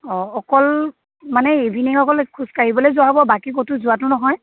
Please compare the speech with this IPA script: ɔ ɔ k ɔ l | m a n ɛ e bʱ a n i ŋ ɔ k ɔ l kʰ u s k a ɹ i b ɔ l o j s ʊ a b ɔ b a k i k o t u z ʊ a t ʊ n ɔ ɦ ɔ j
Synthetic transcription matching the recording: ɔ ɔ k ɔ l | m a n ɛ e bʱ i n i ŋ ɔ k ɔ l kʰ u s k a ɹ i b ɔ l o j z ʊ a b ɔ b a k i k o t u z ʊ a t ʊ n ɔ ɦ ɔ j